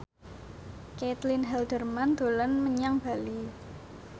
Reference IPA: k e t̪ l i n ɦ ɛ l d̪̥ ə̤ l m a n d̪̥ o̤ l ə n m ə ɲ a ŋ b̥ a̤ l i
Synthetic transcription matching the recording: k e t̪ l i n ɦ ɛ l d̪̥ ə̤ r m a n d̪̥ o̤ l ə n m ə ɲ a ŋ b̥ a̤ l i